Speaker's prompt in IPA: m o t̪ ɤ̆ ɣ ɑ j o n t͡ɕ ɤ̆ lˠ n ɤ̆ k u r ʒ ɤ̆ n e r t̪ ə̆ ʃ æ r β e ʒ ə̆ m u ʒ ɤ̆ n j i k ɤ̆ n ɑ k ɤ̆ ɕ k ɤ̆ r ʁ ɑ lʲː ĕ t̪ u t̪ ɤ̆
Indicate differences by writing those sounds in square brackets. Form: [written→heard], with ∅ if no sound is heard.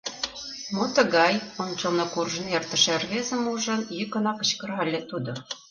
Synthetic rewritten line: m o t̪ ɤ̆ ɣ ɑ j o n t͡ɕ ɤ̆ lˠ n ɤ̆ k u r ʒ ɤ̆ n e r t̪ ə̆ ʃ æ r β e [ʒ→z] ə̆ m u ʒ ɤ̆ n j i k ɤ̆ n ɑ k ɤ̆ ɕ k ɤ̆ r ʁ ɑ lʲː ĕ t̪ u [t̪→d̪] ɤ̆

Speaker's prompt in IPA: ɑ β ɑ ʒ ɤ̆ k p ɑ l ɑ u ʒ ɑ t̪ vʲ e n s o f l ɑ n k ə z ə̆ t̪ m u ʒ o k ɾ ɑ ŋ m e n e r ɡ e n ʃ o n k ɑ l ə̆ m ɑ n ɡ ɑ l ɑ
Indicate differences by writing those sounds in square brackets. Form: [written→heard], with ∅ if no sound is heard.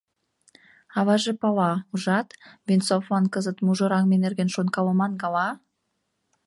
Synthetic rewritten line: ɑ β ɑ ʒ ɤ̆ [k→∅] p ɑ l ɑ u ʒ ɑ t̪ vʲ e n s o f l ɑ n k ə z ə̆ t̪ m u ʒ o [k→∅] ɾ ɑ ŋ m e n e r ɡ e n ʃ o n k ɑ l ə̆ m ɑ n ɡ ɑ l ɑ

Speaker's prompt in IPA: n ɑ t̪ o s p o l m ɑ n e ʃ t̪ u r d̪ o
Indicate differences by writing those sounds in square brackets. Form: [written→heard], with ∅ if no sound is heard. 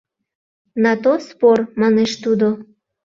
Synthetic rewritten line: n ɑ t̪ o s p o [l→r] m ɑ n e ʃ t̪ u [r→∅] d̪ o

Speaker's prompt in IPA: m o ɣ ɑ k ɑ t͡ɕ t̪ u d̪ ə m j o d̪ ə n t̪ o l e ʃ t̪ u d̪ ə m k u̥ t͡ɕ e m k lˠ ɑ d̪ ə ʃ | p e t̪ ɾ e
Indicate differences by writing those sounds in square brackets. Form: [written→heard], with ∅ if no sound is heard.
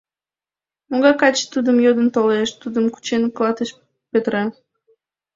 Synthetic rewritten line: m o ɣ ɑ k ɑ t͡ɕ t̪ u d̪ ə m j o d̪ ə n t̪ o l e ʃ t̪ u d̪ ə m k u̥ t͡ɕ e [m→n] k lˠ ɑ [d̪→t̪] ə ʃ | p e t̪ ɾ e

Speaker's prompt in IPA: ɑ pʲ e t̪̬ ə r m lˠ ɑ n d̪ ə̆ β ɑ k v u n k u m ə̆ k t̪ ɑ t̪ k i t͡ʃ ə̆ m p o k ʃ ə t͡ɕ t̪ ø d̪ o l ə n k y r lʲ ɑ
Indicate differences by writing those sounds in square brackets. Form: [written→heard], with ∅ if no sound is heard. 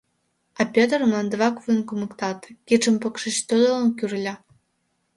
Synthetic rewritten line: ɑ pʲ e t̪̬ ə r m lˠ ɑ n d̪ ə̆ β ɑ k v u n k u m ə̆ k t̪ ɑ t̪ k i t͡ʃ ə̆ m p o k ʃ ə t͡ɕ t̪ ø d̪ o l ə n k y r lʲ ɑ

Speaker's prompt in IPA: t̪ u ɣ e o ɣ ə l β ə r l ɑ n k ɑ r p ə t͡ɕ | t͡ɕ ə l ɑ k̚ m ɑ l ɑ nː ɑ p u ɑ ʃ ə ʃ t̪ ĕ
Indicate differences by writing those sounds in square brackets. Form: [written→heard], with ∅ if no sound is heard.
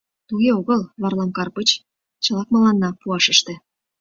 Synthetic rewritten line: t̪ u ɣ e o ɣ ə l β [ə→ɑ] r l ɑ [n→m] k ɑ r p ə t͡ɕ | t͡ɕ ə l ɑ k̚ m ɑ l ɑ nː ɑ p u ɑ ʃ ə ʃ t̪ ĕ

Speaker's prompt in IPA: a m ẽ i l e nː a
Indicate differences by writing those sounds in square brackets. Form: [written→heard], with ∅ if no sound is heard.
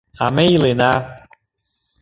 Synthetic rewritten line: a m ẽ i l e [nː→n] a

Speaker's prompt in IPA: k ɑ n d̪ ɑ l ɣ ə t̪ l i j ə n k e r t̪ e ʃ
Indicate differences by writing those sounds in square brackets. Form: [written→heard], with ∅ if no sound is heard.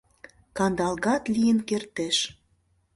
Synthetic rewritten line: k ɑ n d̪ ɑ l ɣ [ə→ɑ] t̪ l i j ə n k e r t̪ e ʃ

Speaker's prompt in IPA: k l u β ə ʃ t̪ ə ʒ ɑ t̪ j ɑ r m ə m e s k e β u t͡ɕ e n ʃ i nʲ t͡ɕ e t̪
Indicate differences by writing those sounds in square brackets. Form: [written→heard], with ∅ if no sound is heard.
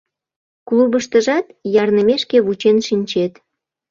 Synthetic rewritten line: k l u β ə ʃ t̪ ə ʒ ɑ t̪ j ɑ r [m→n] ə m e [s→ʃ] k e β u t͡ɕ e n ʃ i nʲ t͡ɕ e t̪

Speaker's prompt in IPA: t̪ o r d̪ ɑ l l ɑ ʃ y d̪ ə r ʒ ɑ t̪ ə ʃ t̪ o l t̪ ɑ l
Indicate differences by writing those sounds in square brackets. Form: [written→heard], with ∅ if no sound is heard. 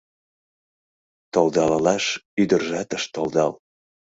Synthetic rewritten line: t̪ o [r→l] d̪ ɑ l l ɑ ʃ y d̪ ə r ʒ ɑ t̪ ə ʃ t̪ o l [t̪→d̪] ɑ l

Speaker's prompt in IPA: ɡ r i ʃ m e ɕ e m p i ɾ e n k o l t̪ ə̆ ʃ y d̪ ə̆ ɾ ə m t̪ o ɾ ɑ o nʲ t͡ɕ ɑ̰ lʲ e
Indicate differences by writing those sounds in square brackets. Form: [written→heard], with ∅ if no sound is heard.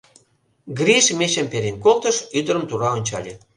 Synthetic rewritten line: ɡ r i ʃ m e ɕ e m p [i→e] ɾ e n k o l t̪ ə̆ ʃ y d̪ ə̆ ɾ ə m t̪ [o→u] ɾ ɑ o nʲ t͡ɕ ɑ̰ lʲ e

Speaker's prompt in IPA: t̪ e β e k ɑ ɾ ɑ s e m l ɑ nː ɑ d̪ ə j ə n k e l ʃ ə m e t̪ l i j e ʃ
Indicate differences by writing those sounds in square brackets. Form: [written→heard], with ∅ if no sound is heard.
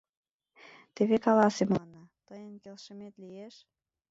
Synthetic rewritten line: t̪ e β e k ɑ [ɾ→l] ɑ s e m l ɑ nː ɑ [d̪→t̪] ə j ə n k e l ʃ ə m e t̪ l i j e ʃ

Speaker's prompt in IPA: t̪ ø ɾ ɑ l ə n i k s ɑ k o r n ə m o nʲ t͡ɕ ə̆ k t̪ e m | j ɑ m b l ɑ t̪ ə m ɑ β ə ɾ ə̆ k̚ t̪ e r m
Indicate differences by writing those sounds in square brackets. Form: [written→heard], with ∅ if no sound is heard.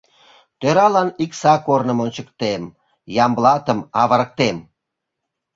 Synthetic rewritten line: t̪ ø ɾ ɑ l [ə→ɑ] n i k s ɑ k o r n ə m o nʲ t͡ɕ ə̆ k t̪ e m | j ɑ m b l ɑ t̪ ə m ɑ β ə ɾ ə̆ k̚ t̪ e [r→∅] m

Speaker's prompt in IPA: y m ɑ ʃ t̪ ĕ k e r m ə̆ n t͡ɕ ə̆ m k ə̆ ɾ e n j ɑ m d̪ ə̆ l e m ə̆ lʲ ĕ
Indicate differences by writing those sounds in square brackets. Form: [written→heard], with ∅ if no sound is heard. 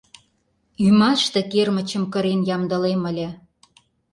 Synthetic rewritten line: y m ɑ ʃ t̪ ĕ k e r m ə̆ [n→∅] t͡ɕ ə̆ m k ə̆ ɾ e n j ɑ m d̪ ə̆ l e m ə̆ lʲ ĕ

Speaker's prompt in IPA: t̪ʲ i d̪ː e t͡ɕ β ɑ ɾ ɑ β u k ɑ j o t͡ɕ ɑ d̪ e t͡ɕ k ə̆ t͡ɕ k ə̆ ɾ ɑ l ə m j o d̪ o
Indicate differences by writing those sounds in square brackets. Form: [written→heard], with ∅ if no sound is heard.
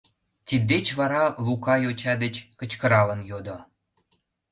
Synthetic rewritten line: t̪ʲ i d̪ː e t͡ɕ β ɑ ɾ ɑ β u k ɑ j o t͡ɕ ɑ d̪ e t͡ɕ k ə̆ t͡ɕ k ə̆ ɾ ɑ l ə [m→n] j o d̪ o

